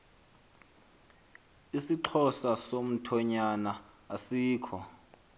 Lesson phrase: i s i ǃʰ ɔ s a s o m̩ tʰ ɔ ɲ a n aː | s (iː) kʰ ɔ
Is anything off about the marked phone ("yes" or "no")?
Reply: no